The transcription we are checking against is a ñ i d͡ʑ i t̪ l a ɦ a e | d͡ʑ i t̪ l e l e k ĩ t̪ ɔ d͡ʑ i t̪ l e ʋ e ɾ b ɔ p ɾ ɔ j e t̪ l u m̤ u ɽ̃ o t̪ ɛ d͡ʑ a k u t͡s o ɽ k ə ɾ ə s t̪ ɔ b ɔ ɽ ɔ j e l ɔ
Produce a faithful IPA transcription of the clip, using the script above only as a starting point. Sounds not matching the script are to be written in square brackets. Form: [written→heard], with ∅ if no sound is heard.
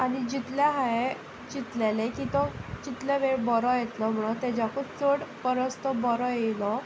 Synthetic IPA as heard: a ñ i d͡ʑ i t̪ l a ɦ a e | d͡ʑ i t̪ l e l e k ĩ t̪ ɔ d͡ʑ i t̪ l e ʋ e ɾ b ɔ [p→∅] ɾ ɔ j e t̪ l [u→ɔ] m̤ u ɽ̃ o t̪ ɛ d͡ʑ a k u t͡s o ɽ [k→p] ə ɾ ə s t̪ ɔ b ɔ [ɽ→ɾ] ɔ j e l ɔ